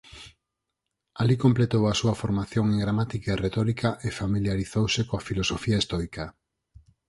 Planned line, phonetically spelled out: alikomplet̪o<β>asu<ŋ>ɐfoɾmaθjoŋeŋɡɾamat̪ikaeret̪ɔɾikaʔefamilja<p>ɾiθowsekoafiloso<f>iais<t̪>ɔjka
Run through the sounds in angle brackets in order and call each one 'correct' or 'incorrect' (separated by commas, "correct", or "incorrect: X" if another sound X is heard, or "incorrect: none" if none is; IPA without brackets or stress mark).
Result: incorrect: w, incorrect: none, incorrect: none, correct, correct